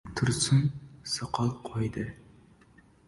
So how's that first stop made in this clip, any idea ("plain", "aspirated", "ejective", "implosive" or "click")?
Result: aspirated